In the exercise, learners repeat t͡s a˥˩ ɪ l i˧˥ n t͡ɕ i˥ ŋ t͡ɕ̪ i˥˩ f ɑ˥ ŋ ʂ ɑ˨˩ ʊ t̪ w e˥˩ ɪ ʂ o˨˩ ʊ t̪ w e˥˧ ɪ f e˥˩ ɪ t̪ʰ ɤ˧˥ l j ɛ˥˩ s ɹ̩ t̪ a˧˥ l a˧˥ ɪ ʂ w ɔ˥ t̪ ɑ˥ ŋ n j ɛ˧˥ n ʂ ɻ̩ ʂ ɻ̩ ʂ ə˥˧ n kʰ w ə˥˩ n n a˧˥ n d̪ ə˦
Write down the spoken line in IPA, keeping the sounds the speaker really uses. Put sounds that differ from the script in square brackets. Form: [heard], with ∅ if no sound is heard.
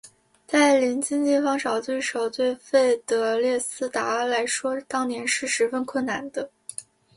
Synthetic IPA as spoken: t͡s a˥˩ ɪ l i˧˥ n t͡ɕ i˥ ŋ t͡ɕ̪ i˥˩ f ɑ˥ ŋ ʂ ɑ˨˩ ʊ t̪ w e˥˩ ɪ ʂ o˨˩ ʊ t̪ w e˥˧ ɪ f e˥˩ ɪ [t̪] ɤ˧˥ l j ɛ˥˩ s ɹ̩ t̪ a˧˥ l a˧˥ ɪ ʂ w ɔ˥ t̪ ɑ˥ ŋ n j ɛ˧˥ n ʂ ɻ̩ ʂ ɻ̩ [f] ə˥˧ n kʰ w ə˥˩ n n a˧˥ n d̪ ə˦